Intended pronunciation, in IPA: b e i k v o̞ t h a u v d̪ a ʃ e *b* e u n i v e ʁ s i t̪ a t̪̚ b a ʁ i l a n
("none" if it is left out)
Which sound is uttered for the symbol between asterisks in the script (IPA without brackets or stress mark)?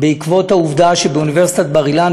b